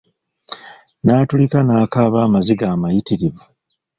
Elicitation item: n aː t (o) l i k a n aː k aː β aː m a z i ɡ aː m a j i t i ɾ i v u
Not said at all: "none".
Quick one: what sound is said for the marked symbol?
u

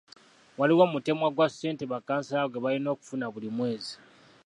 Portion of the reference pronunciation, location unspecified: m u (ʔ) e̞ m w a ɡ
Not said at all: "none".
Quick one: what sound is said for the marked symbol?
t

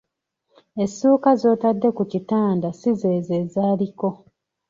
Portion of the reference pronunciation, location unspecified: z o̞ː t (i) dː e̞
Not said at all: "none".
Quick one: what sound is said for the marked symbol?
a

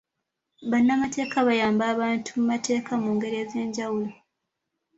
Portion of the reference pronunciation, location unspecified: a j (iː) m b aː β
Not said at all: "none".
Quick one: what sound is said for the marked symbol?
aː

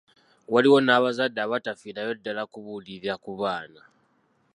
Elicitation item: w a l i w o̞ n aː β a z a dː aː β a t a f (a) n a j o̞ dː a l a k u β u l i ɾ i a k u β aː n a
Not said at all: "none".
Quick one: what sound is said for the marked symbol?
i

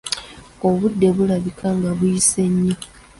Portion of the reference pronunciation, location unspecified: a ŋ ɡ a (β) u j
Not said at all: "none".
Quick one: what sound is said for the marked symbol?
β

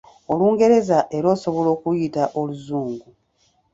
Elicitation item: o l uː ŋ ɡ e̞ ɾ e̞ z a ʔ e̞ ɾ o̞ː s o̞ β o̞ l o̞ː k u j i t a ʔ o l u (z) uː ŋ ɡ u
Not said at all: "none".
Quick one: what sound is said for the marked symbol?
z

